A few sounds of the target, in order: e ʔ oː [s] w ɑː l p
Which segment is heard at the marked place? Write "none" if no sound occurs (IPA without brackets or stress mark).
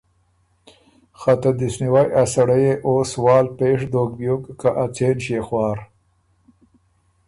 s